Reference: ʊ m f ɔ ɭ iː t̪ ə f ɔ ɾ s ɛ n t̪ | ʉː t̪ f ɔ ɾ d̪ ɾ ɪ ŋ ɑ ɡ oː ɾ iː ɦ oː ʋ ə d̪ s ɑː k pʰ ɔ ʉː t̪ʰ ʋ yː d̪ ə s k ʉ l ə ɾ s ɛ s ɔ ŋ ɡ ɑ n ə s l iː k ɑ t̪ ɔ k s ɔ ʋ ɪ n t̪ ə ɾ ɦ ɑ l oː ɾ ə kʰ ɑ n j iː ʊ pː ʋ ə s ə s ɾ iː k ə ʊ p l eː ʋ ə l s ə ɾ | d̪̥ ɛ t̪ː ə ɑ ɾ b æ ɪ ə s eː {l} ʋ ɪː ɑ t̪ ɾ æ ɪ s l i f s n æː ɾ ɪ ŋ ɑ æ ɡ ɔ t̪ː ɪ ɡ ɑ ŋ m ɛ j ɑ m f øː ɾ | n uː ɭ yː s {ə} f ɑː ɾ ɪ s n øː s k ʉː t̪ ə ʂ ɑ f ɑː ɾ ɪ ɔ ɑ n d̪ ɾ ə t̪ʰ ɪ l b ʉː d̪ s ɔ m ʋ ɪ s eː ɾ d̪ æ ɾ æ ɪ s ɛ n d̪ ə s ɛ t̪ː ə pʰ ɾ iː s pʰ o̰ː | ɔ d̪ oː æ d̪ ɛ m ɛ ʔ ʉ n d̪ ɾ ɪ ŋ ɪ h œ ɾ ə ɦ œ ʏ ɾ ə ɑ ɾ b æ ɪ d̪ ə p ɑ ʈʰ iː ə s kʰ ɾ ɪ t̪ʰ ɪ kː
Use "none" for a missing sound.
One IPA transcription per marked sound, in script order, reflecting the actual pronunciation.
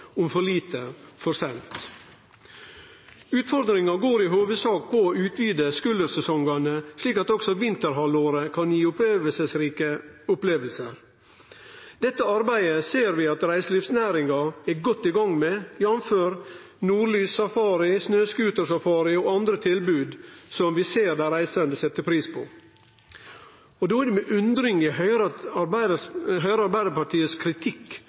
ɾ, ɑ

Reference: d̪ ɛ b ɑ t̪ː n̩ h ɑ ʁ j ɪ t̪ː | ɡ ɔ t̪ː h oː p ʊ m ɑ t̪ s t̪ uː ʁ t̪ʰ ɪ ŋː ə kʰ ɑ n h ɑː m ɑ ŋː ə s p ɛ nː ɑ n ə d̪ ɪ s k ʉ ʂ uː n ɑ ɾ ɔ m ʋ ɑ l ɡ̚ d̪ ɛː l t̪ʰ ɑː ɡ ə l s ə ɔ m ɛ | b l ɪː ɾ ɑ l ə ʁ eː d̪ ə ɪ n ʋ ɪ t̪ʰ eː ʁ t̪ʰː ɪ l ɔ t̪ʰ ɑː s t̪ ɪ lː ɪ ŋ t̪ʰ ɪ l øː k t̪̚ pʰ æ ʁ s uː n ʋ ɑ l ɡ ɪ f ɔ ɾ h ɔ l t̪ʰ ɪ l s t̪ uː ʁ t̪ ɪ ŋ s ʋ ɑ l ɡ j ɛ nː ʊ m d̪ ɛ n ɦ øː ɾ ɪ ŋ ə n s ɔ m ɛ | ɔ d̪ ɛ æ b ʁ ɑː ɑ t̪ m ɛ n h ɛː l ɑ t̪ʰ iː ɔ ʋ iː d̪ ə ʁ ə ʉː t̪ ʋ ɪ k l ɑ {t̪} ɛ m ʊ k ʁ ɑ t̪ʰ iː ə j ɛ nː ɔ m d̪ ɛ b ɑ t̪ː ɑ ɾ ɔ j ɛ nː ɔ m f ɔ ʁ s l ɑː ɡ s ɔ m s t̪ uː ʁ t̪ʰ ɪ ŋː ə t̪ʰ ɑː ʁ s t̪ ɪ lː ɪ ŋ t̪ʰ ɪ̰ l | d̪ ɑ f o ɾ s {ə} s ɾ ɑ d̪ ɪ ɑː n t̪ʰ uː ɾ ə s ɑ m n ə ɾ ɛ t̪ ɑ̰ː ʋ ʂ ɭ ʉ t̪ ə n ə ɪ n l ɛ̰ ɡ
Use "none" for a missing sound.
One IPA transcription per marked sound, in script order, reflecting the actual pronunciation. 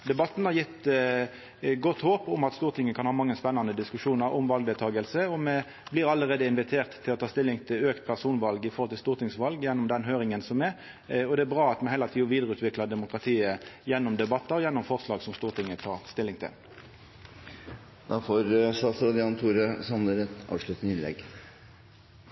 d̪, ɑ

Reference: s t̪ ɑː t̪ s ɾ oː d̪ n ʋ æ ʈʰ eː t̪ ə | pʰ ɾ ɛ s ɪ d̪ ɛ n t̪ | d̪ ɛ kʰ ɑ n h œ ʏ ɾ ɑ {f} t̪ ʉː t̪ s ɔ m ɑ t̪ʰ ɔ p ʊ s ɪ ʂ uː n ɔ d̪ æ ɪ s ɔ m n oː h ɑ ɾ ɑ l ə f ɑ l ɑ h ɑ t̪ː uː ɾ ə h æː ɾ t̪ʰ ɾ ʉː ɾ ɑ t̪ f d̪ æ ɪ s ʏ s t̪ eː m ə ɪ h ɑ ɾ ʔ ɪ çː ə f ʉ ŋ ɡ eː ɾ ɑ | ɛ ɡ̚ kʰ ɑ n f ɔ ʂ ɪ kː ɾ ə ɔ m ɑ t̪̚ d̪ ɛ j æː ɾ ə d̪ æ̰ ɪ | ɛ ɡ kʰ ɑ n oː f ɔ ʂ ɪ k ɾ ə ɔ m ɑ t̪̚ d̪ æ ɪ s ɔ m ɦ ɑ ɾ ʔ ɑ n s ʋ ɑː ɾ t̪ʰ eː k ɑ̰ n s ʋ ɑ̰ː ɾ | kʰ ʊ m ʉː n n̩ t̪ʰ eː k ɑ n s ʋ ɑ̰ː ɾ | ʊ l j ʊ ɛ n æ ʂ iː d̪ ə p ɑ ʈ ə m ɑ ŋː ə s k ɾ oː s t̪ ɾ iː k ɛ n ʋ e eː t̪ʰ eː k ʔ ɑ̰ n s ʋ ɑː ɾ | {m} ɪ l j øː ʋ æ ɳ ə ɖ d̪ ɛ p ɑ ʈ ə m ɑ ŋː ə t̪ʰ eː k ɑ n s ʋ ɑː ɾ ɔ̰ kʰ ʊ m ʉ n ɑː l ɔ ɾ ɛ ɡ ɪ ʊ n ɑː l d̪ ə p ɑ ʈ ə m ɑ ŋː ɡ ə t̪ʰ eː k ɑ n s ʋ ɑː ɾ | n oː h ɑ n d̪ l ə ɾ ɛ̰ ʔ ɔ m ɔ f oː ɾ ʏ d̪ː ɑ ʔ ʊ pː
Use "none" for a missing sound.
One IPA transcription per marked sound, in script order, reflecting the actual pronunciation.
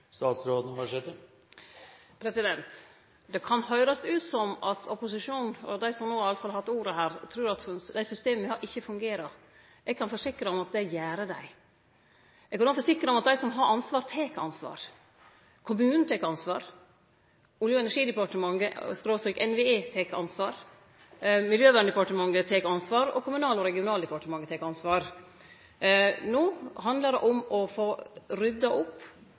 s, m

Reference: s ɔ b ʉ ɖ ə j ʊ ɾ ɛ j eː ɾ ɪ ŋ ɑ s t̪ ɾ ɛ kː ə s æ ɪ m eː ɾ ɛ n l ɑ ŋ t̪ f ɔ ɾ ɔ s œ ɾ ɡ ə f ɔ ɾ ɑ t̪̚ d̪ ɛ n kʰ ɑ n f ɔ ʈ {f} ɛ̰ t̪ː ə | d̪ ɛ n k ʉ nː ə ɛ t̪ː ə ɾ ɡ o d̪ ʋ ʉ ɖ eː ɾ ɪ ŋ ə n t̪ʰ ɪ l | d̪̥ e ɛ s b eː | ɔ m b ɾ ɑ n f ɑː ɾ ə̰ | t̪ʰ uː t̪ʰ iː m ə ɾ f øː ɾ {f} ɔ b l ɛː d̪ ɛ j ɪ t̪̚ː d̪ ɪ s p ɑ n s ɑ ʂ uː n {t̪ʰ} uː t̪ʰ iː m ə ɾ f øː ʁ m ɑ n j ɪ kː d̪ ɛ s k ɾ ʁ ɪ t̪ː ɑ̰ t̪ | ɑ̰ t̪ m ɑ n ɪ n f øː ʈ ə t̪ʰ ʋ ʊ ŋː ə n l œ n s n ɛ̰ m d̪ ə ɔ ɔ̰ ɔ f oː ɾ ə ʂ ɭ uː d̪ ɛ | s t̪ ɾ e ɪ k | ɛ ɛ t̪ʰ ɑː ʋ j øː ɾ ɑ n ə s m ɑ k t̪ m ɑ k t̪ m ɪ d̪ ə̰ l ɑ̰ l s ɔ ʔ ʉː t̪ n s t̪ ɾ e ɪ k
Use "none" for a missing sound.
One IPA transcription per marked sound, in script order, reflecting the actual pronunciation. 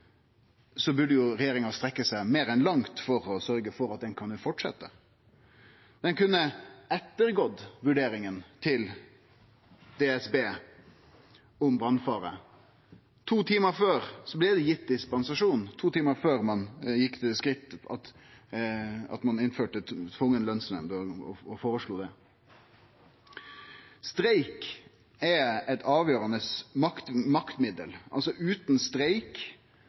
ʂ, s, t̪ʰ

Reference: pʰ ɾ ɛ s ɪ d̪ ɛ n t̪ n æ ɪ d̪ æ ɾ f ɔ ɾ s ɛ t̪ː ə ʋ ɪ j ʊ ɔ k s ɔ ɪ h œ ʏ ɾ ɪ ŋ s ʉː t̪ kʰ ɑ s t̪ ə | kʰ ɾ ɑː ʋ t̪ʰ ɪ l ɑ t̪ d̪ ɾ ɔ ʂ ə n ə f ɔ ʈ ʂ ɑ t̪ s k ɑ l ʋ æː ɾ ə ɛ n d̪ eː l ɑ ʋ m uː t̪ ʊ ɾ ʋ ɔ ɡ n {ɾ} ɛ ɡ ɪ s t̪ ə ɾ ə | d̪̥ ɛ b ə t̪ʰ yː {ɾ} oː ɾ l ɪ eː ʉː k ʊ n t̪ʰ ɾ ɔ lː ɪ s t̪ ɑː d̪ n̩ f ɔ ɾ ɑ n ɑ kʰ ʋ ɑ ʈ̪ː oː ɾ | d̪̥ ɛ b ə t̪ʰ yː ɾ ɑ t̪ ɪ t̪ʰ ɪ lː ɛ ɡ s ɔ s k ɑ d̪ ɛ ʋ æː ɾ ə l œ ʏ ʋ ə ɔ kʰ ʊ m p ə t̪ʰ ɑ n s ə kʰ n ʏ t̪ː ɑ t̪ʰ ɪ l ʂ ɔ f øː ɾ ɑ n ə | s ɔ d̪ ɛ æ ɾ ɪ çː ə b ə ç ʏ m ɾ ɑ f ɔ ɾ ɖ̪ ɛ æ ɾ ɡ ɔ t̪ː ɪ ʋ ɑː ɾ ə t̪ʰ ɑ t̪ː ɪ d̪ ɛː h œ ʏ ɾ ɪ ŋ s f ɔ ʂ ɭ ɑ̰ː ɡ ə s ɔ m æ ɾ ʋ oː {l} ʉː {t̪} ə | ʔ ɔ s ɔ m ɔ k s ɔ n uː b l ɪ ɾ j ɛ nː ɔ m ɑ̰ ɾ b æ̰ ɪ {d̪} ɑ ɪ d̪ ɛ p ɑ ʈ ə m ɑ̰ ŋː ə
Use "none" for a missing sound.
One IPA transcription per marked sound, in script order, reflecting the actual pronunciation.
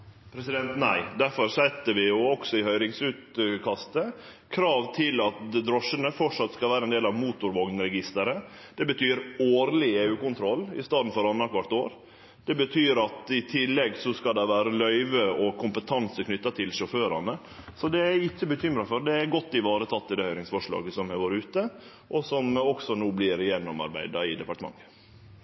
ɾ, ɾ, ɾ, t̪, d̪

